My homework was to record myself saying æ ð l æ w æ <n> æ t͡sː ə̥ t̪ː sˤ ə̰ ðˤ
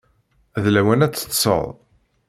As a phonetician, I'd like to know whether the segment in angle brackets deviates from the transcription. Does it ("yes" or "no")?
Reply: no